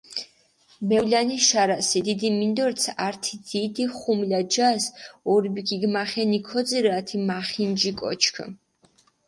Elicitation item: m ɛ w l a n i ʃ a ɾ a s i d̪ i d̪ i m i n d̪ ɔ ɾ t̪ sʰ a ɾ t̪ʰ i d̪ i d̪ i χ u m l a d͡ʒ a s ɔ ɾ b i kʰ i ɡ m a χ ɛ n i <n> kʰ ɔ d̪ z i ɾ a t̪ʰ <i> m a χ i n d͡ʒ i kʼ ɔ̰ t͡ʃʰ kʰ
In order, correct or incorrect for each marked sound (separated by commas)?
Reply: incorrect, correct